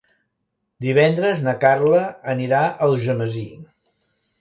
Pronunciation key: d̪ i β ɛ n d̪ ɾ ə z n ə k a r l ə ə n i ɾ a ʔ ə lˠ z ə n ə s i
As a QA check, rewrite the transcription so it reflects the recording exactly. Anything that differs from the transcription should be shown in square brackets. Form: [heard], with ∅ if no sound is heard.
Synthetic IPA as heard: d̪ i β ɛ n d̪ ɾ ə z n ə k a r l ə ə n i ɾ a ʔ ə lˠ [ʒ] ə [m] ə [z] i